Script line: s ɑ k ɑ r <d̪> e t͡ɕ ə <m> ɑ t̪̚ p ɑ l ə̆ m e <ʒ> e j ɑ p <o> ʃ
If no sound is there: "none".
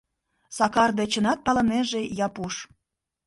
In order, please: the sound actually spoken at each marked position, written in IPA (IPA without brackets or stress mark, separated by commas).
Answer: d̪, n, ʒ, u